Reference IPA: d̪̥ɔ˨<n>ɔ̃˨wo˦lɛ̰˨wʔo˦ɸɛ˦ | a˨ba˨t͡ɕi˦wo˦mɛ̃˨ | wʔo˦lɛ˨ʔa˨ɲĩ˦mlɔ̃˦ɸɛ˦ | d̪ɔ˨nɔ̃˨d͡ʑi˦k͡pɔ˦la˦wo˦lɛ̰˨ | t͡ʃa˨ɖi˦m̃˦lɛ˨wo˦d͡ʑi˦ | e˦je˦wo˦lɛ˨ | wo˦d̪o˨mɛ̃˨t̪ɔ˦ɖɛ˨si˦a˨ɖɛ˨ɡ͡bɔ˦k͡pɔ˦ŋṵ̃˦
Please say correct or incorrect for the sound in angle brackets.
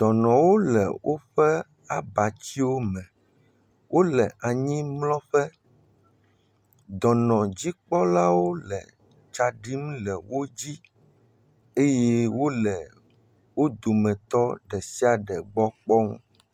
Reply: correct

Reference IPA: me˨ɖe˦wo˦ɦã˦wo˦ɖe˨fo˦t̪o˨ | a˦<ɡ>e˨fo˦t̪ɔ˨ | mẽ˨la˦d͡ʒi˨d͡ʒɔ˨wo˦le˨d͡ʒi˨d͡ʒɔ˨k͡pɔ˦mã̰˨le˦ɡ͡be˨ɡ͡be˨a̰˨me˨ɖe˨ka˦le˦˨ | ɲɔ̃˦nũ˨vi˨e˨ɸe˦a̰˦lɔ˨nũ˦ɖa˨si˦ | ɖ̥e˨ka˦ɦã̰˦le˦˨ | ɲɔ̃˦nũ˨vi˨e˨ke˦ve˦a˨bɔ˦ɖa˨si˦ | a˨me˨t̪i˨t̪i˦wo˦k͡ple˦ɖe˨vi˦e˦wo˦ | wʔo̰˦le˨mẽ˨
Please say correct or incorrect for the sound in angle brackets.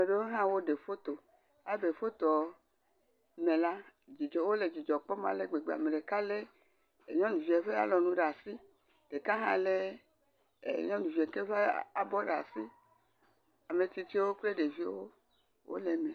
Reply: incorrect: b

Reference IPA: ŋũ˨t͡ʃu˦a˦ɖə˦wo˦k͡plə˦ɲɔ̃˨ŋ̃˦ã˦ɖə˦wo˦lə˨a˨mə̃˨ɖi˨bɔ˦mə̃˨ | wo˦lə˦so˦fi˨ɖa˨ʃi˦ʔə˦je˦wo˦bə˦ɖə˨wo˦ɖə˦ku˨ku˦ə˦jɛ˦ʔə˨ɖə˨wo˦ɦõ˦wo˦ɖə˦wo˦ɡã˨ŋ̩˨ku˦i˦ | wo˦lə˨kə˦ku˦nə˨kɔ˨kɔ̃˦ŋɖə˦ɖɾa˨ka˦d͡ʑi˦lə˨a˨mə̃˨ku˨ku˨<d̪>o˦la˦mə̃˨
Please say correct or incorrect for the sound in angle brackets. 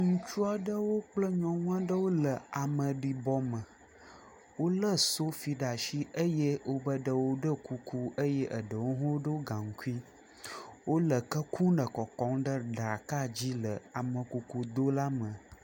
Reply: correct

